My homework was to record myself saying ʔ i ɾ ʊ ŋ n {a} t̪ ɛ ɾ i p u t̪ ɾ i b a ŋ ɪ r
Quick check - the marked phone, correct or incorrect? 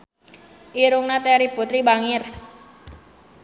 correct